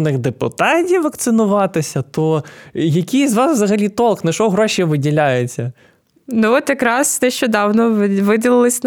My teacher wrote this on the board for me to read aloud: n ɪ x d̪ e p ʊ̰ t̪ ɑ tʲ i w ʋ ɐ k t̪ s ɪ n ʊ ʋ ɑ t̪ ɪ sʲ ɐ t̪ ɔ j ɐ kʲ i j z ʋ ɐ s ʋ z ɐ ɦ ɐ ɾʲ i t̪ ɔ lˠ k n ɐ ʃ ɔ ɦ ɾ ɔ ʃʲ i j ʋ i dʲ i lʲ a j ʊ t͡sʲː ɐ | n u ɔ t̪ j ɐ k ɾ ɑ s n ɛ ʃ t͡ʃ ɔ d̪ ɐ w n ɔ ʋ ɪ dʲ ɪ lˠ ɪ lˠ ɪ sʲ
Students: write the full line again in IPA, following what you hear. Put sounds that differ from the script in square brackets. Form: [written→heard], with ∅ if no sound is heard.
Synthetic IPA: n ɪ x d̪ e p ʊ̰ t̪ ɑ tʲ i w ʋ ɐ k t̪ s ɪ n ʊ ʋ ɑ t̪ ɪ sʲ ɐ t̪ ɔ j ɐ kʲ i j z ʋ [ɐ→ɑ] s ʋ z ɐ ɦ ɐ [ɾʲ→lʲ] i t̪ ɔ lˠ k n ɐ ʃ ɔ ɦ ɾ ɔ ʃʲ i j ʋ [i→ɪ] dʲ i lʲ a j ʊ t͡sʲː ɐ | n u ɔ t̪ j ɐ k ɾ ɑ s n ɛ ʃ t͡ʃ ɔ d̪ [ɐ→ɑ] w n ɔ ʋ ɪ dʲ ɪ lˠ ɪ lˠ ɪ sʲ